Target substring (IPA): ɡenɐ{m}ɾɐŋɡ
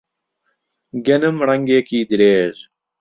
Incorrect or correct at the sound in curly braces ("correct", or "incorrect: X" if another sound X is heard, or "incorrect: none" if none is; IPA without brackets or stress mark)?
correct